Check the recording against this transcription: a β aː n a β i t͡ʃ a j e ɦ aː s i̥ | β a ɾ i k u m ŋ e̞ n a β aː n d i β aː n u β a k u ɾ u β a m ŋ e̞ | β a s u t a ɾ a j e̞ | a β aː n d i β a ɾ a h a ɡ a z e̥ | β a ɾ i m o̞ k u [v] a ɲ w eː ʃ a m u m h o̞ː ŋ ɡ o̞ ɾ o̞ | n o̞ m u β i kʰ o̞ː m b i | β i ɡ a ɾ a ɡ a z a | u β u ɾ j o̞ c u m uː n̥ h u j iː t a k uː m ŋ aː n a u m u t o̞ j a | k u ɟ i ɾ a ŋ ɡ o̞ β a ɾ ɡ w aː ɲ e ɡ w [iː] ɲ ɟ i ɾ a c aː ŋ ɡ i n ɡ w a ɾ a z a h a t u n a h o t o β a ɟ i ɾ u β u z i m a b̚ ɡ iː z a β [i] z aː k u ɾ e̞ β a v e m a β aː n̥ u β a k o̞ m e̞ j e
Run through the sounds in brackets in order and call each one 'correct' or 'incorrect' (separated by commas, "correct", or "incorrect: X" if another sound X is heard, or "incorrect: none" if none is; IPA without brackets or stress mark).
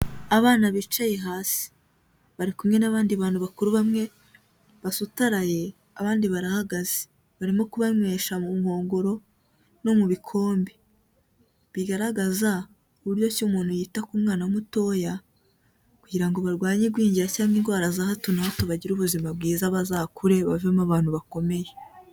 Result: incorrect: β, correct, incorrect: a